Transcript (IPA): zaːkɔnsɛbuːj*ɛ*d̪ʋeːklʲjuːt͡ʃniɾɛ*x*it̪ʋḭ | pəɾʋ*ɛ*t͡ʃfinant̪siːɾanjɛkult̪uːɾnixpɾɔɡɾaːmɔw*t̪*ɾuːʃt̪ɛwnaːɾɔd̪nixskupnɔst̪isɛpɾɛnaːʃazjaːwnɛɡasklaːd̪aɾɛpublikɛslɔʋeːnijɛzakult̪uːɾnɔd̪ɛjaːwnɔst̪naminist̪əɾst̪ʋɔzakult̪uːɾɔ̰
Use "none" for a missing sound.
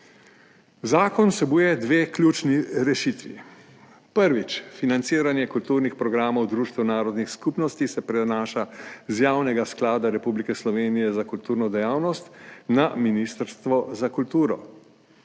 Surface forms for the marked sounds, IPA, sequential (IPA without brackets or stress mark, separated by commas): ɛ, ʃ, i, d̪